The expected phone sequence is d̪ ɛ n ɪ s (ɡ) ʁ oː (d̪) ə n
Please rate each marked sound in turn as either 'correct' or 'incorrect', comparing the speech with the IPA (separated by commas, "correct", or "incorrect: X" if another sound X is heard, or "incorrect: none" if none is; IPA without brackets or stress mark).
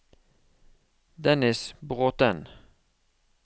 incorrect: b, incorrect: t̪